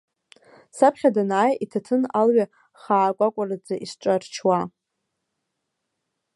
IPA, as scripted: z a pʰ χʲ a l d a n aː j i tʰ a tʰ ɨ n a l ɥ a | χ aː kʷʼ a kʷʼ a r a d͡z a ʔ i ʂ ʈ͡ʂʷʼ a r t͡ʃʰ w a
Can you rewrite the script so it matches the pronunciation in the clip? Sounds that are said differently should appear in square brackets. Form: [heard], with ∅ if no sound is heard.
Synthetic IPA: [s] a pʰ χʲ a [∅] d a n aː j i tʰ a tʰ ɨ n a l ɥ a | χ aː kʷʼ a kʷʼ a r a d͡z a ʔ i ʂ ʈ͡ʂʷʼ a r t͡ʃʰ w a